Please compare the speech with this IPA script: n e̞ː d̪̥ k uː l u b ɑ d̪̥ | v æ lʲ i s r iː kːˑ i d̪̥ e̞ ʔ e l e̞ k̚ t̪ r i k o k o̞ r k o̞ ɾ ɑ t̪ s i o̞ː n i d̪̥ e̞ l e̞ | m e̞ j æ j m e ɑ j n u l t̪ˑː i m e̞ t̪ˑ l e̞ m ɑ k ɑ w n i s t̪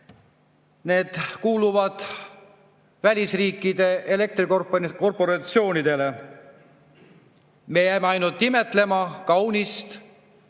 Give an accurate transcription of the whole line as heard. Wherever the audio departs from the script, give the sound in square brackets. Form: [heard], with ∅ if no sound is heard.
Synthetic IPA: n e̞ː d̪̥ k uː l u [v] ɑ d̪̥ | v æ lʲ i s r iː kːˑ i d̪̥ e̞ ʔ e l e̞ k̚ t̪ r i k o k o̞ r [p] o̞ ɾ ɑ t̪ s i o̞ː n i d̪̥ e̞ l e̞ | m e̞ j æ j m e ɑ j n u l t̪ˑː i m e̞ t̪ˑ l e̞ m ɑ k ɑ w n i s t̪